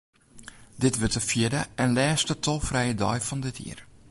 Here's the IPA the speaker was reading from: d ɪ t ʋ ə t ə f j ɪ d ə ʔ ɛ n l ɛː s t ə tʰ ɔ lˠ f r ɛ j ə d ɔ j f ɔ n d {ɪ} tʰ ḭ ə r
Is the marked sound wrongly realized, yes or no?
no